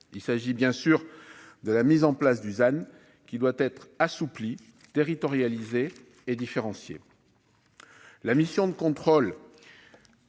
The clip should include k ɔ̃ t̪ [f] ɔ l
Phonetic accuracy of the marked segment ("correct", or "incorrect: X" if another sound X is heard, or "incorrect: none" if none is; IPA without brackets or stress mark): incorrect: χ